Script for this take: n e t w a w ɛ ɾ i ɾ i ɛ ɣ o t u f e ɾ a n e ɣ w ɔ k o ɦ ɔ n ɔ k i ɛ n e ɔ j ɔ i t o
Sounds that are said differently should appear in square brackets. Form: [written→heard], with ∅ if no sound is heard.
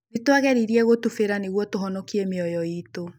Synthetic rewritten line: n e t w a [w→ɣ] ɛ ɾ i ɾ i ɛ ɣ o t u f e ɾ a n e ɣ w ɔ [k→t] o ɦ ɔ n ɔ k i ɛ [n→m] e ɔ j ɔ i t o